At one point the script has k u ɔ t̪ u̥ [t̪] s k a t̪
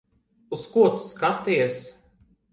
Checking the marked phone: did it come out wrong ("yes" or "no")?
yes